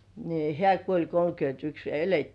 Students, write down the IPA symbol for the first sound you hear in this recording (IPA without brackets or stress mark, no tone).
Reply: n